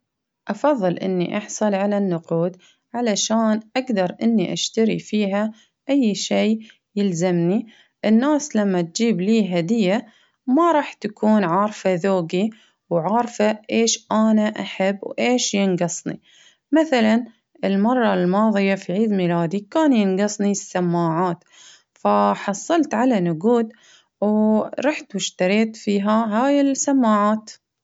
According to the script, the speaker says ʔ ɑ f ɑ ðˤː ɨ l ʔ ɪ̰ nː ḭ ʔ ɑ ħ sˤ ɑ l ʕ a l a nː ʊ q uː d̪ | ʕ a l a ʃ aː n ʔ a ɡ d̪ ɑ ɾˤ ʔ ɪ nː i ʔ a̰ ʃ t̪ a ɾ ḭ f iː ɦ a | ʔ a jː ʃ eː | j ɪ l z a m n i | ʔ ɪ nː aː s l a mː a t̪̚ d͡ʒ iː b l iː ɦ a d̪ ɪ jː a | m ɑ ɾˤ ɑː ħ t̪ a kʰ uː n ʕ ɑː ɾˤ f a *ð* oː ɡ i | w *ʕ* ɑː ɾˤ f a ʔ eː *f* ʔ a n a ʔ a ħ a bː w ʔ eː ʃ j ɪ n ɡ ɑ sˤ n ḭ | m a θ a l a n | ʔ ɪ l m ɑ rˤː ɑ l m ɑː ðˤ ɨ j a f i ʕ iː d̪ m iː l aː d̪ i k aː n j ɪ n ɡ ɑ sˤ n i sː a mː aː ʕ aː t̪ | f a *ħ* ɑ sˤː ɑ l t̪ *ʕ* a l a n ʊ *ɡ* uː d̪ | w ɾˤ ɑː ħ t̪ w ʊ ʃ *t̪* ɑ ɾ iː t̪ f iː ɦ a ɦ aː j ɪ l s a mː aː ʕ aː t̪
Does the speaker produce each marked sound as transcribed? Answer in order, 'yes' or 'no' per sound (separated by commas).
yes, yes, no, yes, yes, yes, yes